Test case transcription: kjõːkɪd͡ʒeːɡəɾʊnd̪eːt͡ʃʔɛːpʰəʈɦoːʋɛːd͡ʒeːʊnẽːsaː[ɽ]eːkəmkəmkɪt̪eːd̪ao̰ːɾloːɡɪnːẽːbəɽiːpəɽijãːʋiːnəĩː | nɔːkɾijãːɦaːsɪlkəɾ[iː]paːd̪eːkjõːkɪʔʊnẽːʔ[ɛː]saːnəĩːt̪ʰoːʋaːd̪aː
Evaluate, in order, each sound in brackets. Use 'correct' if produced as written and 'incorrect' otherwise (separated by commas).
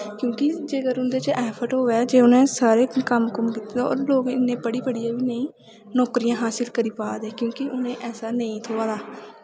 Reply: incorrect, correct, correct